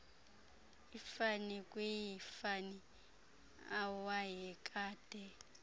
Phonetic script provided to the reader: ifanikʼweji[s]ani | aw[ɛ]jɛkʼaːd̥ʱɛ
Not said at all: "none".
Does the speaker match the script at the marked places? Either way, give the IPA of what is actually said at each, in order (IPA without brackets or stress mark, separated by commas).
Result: f, a